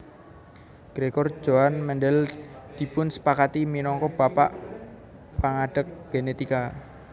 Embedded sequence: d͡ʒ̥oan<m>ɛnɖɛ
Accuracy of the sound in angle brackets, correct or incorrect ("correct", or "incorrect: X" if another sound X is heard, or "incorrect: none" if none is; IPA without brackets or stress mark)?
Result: correct